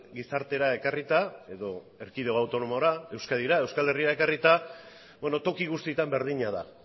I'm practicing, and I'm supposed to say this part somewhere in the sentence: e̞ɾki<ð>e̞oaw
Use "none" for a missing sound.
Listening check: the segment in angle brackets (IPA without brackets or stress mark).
ð